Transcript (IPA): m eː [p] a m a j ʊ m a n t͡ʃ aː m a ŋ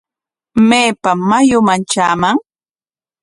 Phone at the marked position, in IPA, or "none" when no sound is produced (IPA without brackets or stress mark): p